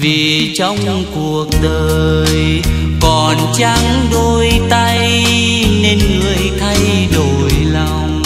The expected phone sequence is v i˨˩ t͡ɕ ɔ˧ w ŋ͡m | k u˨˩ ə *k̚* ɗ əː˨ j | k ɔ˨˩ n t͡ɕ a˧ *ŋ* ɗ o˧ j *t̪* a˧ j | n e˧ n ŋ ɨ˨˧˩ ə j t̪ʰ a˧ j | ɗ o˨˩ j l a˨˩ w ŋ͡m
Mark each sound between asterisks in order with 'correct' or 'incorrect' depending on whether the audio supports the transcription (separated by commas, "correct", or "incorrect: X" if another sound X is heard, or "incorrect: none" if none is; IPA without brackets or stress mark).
correct, correct, correct